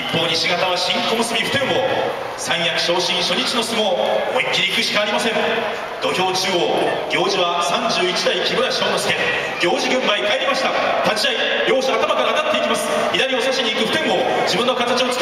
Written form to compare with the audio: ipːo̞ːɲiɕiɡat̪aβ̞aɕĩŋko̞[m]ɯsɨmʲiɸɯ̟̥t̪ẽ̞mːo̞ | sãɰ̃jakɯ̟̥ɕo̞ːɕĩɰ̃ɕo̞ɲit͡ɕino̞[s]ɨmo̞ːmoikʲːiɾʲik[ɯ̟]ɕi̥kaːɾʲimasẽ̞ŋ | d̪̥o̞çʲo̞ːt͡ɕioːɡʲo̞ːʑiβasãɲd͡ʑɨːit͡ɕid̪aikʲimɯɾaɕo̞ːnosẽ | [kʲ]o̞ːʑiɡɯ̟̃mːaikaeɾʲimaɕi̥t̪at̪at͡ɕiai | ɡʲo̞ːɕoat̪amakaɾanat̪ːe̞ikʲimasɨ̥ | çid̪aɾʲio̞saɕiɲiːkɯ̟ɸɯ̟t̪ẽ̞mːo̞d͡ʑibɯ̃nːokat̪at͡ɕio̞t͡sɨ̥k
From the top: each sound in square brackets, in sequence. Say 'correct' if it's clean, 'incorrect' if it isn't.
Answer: correct, correct, correct, incorrect

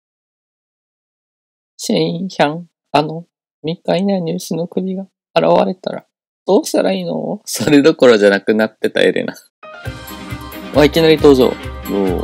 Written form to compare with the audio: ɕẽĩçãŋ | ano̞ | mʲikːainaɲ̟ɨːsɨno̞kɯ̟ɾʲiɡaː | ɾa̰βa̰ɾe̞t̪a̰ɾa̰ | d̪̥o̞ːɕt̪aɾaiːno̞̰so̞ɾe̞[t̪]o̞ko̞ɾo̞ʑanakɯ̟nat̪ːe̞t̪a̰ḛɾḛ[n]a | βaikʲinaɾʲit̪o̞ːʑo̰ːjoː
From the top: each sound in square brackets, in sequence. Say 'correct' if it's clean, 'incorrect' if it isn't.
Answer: incorrect, correct

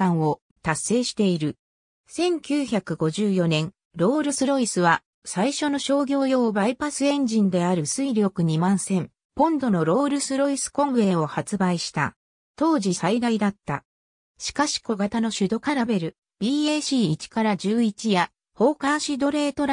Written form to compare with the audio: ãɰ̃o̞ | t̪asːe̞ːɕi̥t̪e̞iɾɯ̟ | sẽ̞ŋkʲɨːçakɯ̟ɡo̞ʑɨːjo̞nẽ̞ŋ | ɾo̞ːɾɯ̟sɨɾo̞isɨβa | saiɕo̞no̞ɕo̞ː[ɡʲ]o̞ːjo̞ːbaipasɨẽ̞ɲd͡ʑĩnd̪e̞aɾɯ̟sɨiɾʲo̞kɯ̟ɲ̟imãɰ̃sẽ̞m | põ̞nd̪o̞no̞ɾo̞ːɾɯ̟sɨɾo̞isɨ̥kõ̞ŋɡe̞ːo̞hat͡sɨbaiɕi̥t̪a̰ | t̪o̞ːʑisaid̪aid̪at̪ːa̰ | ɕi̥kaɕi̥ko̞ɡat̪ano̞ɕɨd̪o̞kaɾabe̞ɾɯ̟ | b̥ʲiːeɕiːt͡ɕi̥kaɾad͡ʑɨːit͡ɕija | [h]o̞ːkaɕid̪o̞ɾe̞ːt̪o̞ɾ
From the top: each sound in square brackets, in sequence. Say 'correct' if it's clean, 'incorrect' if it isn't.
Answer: correct, correct

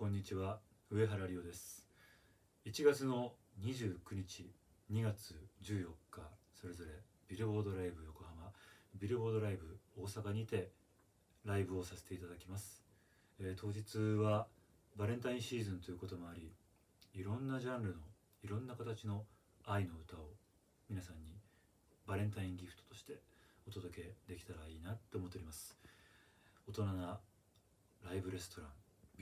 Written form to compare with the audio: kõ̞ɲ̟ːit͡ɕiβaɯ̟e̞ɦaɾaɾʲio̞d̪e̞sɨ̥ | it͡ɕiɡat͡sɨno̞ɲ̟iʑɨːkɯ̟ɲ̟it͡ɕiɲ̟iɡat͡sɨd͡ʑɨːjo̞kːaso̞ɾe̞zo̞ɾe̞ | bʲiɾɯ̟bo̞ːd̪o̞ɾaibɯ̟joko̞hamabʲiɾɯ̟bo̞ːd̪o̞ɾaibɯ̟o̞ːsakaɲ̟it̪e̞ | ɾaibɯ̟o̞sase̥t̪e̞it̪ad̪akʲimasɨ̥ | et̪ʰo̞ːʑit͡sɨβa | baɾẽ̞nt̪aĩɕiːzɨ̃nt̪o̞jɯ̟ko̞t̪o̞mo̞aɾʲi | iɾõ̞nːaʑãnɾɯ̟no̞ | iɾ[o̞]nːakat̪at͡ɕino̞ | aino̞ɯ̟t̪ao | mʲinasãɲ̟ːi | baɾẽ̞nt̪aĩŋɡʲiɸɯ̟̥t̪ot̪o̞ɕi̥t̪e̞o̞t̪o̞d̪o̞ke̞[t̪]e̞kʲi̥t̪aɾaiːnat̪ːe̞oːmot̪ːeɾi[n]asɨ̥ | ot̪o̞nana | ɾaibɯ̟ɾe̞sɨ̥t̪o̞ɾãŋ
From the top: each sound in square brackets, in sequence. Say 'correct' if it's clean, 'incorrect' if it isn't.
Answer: incorrect, incorrect, incorrect

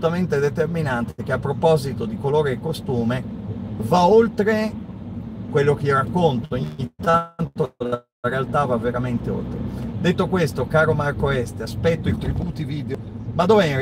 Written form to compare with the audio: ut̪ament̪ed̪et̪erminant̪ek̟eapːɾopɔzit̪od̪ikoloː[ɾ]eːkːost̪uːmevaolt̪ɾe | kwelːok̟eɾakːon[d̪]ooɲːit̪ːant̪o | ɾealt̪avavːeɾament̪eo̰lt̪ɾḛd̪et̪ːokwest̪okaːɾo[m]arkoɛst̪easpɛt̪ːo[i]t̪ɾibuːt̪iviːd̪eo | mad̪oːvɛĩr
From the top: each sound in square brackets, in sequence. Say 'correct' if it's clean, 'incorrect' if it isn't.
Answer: correct, incorrect, correct, correct

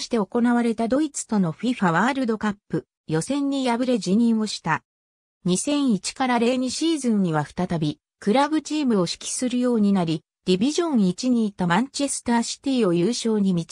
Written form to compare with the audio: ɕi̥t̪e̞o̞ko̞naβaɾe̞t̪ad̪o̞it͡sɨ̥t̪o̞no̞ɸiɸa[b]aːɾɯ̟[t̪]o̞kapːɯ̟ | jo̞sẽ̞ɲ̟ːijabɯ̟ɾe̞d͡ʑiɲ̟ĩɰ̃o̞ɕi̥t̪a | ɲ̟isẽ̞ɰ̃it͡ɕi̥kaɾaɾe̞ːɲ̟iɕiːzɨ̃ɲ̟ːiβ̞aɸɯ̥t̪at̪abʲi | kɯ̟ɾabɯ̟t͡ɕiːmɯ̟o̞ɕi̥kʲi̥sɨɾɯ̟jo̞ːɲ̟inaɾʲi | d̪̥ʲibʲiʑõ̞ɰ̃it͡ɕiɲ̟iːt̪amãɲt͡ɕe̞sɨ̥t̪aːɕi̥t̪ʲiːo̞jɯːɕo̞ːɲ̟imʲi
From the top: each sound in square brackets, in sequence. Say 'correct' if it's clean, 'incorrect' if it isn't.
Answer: incorrect, incorrect

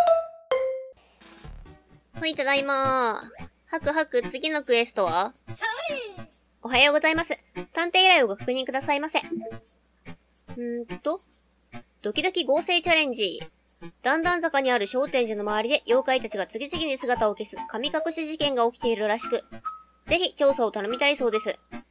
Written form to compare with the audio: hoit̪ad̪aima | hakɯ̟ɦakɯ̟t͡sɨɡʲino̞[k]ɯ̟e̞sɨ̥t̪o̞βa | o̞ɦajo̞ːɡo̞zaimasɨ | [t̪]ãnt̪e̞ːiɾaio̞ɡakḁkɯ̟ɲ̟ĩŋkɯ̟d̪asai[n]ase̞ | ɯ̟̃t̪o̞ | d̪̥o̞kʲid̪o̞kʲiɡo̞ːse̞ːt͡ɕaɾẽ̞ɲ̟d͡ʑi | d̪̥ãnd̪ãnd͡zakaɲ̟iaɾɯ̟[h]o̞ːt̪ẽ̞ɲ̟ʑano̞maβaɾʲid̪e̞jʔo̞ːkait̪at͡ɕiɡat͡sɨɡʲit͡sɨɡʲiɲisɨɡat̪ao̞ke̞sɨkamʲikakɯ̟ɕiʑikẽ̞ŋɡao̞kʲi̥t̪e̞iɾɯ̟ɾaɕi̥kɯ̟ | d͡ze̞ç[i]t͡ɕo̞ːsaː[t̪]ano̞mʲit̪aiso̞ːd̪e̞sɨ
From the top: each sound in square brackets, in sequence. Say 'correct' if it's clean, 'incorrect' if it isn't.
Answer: correct, correct, incorrect, incorrect, correct, correct

